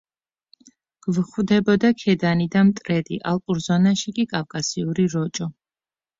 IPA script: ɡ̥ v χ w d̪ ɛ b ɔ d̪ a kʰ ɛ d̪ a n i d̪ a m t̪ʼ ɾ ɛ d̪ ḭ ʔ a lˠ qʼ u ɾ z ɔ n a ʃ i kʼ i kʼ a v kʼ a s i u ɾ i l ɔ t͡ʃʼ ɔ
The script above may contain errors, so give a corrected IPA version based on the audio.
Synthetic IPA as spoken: ɡ̥ v χ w d̪ ɛ b ɔ d̪ a kʰ ɛ d̪ a n i d̪ a m t̪ʼ ɾ ɛ d̪ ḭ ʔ a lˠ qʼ u ɾ z ɔ n a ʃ i kʼ i kʼ a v kʼ a s i u ɾ i ɾ ɔ t͡ʃʼ ɔ